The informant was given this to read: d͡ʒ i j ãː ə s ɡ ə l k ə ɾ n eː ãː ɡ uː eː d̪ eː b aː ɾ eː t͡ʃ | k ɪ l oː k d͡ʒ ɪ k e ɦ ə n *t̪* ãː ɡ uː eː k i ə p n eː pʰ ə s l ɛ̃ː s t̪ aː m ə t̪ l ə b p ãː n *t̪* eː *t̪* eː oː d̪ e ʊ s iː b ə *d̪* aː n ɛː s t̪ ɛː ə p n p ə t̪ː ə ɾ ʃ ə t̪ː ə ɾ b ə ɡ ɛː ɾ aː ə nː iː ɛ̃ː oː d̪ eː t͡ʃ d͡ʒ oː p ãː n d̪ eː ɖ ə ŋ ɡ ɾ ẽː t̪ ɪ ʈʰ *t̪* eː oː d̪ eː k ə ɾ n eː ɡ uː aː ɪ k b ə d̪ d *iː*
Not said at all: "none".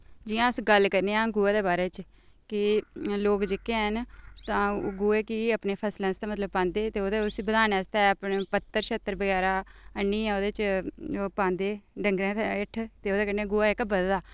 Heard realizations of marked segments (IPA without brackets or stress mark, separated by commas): t̪, d̪, t̪, d̪, t̪, aː